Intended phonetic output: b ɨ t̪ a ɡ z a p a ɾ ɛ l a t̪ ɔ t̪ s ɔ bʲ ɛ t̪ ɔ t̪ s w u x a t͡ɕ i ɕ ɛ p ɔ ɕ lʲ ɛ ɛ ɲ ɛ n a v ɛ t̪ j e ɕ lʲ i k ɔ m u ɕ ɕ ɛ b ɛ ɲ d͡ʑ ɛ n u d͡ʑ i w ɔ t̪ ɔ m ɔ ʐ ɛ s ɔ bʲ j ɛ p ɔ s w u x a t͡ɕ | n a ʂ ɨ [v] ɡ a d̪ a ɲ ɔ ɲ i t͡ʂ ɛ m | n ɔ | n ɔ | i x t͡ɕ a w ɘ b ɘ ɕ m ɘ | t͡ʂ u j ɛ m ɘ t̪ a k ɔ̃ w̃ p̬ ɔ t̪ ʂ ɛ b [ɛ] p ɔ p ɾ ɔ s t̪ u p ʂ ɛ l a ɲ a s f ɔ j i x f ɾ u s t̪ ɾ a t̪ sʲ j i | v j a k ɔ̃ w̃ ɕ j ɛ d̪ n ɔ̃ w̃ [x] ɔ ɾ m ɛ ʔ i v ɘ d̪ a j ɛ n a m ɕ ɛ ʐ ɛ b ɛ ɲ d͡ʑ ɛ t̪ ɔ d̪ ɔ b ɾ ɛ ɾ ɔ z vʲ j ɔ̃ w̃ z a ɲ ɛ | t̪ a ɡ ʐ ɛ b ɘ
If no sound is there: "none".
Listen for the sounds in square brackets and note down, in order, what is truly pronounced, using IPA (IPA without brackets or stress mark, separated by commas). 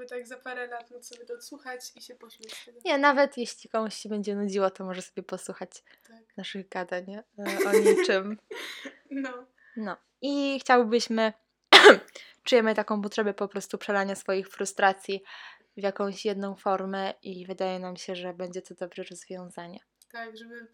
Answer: ɣ, ɛ, f